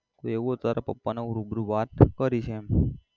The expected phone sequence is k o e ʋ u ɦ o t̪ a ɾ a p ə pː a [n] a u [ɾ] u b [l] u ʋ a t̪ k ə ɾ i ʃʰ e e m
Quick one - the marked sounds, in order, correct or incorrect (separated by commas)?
correct, correct, incorrect